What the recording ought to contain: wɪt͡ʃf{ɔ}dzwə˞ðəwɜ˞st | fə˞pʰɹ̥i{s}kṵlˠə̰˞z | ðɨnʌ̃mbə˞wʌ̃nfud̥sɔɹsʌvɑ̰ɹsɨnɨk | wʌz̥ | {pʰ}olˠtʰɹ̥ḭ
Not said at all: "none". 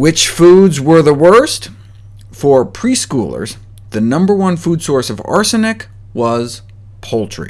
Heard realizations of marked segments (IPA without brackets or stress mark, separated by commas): u, s, pʰ